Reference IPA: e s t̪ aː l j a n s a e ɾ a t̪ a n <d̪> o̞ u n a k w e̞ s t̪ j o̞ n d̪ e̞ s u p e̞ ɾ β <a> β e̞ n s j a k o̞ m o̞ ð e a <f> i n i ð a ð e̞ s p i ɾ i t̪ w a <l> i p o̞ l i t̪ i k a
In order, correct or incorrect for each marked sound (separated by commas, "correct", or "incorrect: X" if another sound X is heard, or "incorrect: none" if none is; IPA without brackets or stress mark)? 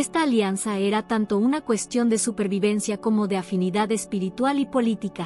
incorrect: t̪, incorrect: i, correct, correct